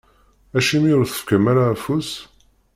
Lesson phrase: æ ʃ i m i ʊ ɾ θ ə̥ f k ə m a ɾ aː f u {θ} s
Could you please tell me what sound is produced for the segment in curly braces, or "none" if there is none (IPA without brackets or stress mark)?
none